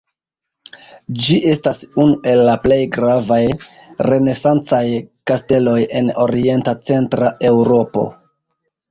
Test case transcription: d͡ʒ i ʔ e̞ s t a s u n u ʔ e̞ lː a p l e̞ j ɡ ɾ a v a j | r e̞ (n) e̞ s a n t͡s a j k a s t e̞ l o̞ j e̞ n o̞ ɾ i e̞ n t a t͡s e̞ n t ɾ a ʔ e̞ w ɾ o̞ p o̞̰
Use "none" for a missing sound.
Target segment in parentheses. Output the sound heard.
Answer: n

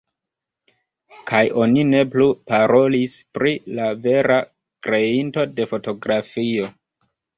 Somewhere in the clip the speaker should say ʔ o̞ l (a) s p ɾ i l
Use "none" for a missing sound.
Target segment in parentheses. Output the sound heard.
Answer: i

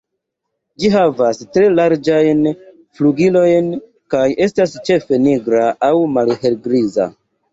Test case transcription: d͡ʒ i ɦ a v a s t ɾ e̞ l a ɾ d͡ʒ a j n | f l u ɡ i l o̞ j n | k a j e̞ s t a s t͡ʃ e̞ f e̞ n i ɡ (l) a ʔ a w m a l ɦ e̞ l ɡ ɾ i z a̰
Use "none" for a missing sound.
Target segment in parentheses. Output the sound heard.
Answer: ɾ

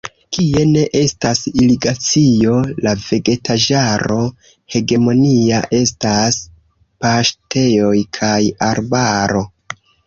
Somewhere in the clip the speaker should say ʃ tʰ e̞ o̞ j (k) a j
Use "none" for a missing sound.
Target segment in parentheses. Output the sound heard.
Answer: kʰ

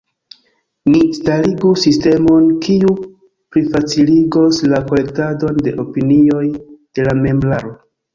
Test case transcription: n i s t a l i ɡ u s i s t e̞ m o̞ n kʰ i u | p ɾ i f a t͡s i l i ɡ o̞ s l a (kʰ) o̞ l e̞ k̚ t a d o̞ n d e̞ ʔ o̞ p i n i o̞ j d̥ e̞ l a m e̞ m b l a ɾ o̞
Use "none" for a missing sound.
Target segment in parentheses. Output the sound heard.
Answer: k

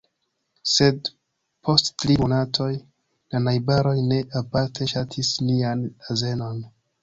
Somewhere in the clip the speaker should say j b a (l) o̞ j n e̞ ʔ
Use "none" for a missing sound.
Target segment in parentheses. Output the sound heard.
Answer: ɾ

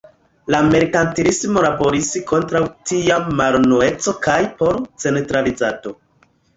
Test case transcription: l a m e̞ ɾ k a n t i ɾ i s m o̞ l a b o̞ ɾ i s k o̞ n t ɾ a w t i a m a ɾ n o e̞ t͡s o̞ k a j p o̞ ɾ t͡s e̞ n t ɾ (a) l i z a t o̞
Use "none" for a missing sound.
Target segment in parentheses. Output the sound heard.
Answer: a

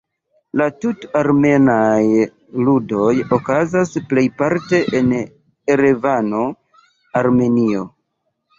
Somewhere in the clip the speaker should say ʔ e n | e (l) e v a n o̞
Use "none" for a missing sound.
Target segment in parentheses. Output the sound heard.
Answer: ɾ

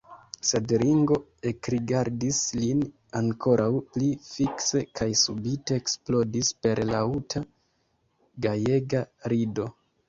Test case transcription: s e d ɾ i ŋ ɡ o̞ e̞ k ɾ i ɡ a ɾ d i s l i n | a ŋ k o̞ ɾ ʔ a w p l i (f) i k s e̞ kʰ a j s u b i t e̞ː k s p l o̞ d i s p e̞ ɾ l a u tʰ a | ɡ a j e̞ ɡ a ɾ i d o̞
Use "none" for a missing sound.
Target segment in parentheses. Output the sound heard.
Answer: f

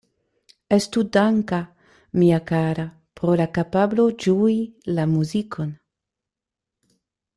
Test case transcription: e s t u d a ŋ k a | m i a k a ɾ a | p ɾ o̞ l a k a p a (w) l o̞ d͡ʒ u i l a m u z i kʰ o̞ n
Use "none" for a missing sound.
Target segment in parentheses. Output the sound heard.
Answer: b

